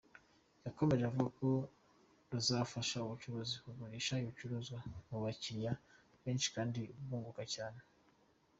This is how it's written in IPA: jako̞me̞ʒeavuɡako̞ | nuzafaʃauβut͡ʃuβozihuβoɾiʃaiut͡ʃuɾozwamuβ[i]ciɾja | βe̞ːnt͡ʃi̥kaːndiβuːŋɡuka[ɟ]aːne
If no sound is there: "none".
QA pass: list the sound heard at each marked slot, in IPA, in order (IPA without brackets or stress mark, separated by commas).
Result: a, c